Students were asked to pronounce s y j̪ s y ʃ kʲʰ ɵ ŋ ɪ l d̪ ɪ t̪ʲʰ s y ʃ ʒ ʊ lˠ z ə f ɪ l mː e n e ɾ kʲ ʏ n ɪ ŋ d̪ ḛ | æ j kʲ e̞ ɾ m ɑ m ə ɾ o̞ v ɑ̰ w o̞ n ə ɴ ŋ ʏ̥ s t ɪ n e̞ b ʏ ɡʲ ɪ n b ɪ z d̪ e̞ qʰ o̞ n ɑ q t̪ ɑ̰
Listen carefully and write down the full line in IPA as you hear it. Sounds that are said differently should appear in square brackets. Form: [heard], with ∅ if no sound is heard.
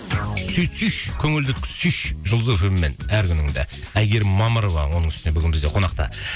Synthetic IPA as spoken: s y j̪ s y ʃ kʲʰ ɵ ŋ ɪ l d̪ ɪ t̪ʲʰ s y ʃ ʒ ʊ lˠ z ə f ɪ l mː e n [æ] ɾ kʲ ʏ n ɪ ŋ d̪ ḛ | æ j [ɡʲ] e̞ ɾ m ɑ m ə ɾ o̞ v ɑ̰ w o̞ n ə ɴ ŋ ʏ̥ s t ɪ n e̞ b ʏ ɡʲ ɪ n b ɪ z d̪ e̞ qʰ o̞ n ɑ q t̪ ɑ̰